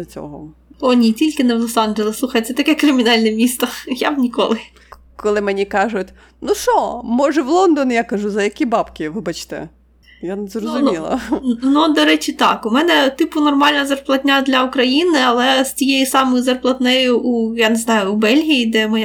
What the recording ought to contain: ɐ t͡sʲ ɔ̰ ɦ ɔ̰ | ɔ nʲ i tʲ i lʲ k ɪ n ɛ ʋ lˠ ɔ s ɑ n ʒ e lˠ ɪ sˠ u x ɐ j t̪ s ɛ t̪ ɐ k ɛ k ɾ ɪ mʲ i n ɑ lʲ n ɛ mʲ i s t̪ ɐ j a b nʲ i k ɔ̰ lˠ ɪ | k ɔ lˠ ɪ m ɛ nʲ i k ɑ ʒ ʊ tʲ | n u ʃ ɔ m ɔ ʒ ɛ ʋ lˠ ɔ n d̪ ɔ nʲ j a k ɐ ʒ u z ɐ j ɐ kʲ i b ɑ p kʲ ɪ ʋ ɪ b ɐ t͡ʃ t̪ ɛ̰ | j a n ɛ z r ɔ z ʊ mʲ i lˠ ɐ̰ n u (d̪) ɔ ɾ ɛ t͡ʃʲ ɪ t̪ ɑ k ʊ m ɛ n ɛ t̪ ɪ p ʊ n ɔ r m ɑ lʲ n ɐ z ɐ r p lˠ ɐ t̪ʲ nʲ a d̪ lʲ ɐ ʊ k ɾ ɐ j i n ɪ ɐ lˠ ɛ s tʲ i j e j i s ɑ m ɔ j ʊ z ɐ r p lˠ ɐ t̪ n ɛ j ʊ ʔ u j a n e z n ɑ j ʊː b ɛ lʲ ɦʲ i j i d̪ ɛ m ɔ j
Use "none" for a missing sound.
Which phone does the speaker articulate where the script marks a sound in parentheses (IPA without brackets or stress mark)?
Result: d̪